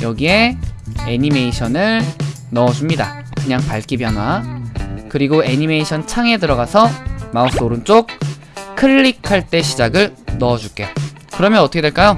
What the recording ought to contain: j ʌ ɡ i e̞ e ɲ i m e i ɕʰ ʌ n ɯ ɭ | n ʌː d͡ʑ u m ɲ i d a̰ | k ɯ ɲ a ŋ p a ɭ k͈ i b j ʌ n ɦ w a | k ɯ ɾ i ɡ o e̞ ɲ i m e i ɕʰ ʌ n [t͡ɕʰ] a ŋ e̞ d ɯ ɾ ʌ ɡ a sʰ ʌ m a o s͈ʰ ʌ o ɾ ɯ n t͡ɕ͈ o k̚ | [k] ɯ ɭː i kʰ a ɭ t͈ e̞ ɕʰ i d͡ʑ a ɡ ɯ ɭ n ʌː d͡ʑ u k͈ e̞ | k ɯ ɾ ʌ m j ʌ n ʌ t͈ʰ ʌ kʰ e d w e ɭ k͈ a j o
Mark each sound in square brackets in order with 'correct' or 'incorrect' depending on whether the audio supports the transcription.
correct, incorrect

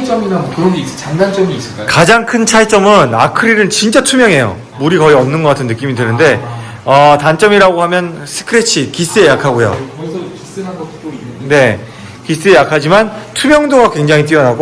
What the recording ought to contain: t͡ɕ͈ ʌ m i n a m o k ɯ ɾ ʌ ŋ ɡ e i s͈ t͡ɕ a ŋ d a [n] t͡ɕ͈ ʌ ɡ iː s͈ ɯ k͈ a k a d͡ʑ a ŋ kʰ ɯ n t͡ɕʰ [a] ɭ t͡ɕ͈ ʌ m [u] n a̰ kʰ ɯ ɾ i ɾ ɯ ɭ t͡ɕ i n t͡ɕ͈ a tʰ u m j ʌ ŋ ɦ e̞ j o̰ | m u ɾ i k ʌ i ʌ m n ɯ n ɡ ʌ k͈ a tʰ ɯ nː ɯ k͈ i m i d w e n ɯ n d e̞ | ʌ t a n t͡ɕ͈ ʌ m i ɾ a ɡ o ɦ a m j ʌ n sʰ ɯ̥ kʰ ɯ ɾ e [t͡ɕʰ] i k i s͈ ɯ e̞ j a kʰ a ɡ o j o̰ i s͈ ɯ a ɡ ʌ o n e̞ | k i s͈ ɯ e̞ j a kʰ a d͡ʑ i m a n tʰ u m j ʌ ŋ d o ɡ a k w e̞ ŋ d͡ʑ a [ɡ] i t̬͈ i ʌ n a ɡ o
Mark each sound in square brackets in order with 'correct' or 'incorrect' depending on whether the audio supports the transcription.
correct, correct, incorrect, correct, incorrect

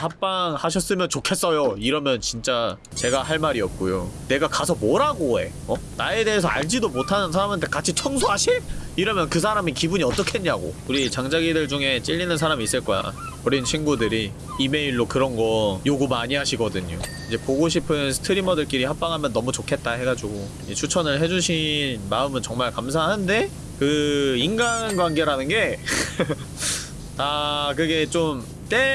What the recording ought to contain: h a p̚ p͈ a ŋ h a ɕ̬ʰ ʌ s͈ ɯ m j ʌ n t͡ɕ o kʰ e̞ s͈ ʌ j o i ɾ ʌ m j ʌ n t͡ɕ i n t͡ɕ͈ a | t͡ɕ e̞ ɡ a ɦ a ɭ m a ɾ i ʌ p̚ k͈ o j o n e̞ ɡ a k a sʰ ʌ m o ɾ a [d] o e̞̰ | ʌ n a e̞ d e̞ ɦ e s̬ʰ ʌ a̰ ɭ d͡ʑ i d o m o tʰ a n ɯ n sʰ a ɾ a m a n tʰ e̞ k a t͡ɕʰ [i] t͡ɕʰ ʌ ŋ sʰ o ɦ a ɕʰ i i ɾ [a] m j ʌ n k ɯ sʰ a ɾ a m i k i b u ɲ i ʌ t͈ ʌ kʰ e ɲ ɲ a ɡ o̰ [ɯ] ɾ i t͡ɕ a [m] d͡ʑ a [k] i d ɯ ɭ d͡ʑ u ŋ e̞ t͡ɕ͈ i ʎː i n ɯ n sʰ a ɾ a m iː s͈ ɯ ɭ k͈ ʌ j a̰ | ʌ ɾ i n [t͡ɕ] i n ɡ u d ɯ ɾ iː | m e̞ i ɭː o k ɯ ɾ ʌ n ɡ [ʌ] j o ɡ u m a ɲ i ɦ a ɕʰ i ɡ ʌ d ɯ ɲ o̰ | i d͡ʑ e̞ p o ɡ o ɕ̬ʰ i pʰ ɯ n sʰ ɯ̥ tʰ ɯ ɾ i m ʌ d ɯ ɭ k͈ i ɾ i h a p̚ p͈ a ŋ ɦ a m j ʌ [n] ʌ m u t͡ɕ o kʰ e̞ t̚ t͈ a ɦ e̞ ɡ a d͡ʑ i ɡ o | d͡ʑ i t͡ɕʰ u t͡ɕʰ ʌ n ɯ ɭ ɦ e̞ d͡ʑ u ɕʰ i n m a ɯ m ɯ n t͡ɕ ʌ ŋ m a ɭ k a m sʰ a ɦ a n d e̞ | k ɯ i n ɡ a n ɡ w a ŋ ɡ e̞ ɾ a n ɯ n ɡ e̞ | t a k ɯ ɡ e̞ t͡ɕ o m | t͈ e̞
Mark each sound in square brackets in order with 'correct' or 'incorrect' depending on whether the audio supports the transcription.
incorrect, correct, incorrect, incorrect, incorrect, incorrect, incorrect, correct, incorrect

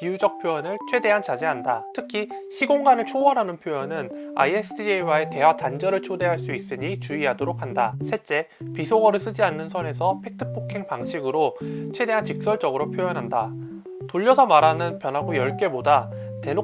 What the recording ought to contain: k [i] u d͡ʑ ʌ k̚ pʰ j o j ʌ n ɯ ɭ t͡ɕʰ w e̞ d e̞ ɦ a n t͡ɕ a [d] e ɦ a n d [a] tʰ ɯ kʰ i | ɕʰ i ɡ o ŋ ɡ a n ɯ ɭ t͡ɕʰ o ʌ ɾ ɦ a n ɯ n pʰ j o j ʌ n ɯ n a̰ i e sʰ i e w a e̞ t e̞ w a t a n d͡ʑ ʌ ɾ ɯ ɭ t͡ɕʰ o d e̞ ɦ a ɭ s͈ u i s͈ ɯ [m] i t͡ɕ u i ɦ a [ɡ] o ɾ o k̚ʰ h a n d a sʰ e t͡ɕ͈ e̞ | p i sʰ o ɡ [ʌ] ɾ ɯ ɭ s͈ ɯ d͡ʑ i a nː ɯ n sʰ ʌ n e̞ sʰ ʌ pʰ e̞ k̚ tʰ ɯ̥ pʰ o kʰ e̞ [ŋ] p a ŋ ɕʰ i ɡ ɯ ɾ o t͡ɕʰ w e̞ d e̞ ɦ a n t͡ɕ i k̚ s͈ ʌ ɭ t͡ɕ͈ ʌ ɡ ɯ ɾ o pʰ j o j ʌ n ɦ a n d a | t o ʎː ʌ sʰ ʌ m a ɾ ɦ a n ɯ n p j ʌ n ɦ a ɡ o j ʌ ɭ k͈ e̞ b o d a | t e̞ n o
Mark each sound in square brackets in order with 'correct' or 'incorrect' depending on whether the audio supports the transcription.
correct, incorrect, correct, incorrect, incorrect, correct, correct

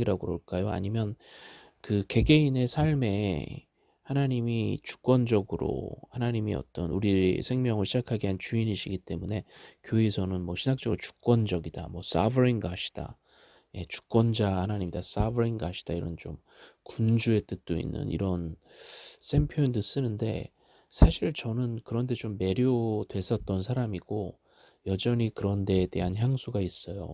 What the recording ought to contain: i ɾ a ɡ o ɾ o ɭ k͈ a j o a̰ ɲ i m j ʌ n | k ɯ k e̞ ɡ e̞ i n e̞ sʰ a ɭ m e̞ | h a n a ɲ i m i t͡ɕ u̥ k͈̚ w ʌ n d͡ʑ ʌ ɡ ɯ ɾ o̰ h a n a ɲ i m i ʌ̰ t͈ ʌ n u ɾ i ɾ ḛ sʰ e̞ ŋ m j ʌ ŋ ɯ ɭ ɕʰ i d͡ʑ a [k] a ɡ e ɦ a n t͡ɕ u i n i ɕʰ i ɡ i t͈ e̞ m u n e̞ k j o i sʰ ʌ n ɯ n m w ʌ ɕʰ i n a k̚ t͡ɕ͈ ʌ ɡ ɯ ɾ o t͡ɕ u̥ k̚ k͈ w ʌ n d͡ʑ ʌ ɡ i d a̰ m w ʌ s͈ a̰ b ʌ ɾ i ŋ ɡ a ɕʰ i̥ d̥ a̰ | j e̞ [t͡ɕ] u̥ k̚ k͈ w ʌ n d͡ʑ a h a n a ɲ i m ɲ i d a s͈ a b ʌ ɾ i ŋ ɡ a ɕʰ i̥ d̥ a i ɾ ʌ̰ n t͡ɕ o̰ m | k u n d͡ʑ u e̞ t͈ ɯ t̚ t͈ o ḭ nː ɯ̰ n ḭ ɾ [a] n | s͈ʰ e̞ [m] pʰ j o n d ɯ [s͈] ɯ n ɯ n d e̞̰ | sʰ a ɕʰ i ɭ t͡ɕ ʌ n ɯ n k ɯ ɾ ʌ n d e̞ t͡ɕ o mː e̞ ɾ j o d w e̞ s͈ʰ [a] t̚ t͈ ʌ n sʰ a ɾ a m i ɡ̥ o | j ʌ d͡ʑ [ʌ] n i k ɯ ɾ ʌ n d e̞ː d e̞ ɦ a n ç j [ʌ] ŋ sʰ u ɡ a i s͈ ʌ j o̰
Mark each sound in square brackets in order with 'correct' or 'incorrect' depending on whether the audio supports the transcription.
incorrect, correct, incorrect, correct, correct, incorrect, correct, incorrect

